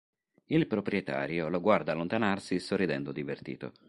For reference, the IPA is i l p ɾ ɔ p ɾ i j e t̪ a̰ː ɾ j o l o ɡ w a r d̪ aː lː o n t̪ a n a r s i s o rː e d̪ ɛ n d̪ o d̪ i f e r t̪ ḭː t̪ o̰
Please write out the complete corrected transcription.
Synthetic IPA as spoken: i l p ɾ o p ɾ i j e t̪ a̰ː ɾ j o l o ɡ w a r d̪ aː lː o n t̪ a n a r s i s o rː i d̪ ɛ n d̪ o d̪ i v e r t̪ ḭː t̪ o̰